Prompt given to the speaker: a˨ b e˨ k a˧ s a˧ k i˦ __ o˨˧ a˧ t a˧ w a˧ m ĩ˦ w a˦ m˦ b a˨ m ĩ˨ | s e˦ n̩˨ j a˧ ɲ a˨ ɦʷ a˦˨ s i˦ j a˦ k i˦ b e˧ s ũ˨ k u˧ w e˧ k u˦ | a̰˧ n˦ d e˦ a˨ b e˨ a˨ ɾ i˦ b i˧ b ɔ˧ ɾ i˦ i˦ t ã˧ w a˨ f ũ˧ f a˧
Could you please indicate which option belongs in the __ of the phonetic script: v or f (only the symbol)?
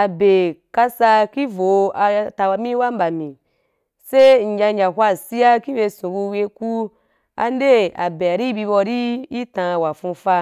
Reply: v